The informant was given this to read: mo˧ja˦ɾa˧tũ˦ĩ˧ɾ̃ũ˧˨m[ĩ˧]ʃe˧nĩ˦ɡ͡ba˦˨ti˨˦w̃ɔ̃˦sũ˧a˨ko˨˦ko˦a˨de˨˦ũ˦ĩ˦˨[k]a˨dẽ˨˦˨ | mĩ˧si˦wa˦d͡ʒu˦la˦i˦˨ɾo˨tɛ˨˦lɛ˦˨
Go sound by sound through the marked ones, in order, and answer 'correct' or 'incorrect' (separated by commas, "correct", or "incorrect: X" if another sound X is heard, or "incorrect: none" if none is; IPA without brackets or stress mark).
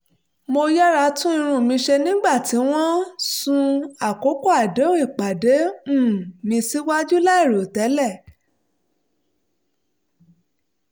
correct, incorrect: k͡p